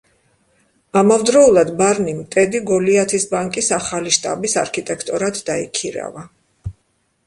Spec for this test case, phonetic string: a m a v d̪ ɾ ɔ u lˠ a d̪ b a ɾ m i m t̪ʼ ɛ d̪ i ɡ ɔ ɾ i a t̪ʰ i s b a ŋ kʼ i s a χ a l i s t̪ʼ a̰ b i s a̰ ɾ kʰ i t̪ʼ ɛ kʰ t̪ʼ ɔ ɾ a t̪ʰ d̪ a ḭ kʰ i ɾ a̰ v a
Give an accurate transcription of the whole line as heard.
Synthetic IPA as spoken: a m a v d̪ ɾ ɔ u lˠ a d̪ b a ɾ n i m t̪ʼ ɛ d̪ i ɡ ɔ l i a t̪ʰ i s b a ŋ kʼ i s a χ a l i ʃ t̪ʼ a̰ b i s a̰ ɾ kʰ i t̪ʼ ɛ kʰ t̪ʼ ɔ ɾ a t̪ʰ d̪ a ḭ kʰ i ɾ a̰ v a